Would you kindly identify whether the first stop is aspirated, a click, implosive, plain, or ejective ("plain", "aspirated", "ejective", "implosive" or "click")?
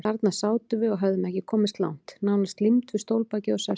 plain